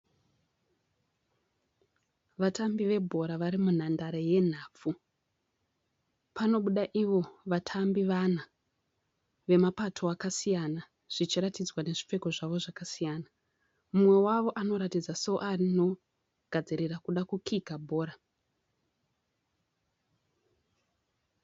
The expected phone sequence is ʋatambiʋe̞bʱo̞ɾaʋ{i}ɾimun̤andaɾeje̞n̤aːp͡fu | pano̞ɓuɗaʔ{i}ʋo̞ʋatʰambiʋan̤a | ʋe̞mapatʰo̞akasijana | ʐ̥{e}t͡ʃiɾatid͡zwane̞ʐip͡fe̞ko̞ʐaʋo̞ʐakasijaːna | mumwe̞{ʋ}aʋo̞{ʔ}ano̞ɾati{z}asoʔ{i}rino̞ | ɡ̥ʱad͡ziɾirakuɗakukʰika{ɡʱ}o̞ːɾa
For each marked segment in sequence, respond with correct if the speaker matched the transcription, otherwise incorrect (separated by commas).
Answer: incorrect, correct, incorrect, incorrect, correct, incorrect, incorrect, incorrect